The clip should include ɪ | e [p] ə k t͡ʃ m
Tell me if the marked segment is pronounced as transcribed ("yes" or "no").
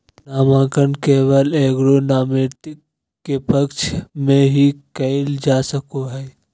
yes